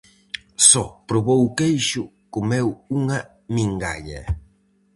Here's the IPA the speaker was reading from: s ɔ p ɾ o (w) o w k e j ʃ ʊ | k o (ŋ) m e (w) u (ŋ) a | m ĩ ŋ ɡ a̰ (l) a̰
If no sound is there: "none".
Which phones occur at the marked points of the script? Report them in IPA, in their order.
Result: β, none, w, ŋ, ʎ

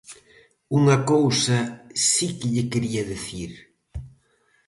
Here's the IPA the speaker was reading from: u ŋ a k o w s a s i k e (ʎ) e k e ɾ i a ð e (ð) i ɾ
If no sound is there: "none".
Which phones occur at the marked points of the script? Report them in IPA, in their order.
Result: ʎ, θ

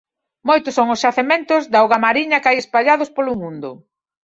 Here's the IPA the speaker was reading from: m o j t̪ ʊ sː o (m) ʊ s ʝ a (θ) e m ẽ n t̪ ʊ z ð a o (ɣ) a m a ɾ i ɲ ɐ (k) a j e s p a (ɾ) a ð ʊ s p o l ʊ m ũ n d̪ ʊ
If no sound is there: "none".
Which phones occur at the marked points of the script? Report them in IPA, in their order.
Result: ŋ, θ, ɣ, k, ʎ

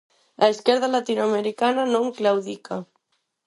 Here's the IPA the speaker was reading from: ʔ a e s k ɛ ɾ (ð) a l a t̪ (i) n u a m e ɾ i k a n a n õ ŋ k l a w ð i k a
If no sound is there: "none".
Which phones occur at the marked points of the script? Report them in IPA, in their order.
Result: ð, i

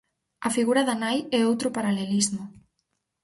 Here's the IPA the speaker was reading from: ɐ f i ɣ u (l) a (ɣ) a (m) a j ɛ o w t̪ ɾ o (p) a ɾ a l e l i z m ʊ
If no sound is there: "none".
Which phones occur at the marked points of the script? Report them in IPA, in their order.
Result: ɾ, ð, n, p

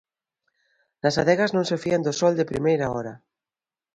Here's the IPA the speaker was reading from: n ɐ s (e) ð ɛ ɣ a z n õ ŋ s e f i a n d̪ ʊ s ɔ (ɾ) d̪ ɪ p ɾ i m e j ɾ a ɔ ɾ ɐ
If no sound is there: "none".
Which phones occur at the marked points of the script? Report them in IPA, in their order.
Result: a, l

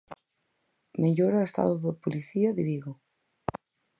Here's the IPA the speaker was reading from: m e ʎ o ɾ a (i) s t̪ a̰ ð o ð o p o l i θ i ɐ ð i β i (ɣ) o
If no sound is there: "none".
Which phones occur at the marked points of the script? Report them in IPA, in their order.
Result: e, ɣ

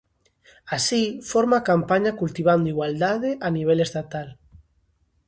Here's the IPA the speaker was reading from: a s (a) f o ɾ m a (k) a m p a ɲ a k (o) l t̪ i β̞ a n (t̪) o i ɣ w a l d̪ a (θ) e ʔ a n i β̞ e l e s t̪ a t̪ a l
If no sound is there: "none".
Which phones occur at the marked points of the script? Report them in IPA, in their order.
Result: i, k, u, d̪, ð

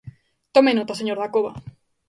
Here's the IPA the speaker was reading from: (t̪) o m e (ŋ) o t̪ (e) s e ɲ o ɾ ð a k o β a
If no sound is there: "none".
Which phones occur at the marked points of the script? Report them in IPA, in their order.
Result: t̪, n, a

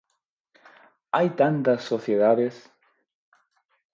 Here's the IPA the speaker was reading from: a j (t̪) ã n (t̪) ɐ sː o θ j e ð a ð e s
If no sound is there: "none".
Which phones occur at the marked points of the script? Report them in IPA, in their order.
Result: t̪, t̪

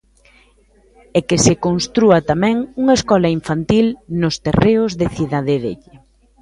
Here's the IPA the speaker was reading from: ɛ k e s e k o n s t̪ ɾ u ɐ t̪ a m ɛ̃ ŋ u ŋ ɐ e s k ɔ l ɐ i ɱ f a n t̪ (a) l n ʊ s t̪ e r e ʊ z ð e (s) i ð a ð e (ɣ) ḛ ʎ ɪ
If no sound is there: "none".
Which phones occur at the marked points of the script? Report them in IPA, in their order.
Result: i, θ, ð

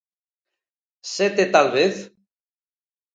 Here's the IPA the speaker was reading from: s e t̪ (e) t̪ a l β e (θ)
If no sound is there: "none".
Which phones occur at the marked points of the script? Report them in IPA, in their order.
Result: e, θ

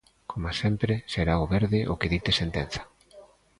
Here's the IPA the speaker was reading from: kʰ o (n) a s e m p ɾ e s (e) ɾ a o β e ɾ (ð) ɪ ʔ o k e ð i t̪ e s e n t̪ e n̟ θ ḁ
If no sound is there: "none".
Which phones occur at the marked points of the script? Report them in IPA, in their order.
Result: m, e, ð

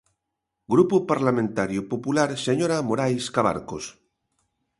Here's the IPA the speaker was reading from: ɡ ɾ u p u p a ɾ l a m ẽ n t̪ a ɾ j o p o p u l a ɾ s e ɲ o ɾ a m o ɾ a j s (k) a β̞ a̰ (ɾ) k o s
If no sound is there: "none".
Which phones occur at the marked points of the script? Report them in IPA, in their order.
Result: k, ɾ

